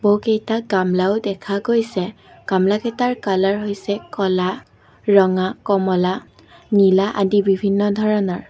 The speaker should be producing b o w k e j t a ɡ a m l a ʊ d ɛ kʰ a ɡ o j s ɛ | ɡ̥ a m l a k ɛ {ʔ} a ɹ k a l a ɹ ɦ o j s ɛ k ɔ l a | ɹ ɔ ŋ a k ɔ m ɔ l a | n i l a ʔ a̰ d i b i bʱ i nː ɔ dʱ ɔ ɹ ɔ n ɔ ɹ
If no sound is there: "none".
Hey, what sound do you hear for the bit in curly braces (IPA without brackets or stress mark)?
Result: t